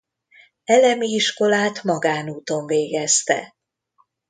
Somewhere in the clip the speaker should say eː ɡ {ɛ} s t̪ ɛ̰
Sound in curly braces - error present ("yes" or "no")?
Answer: no